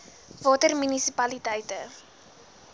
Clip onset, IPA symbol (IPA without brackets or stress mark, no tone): v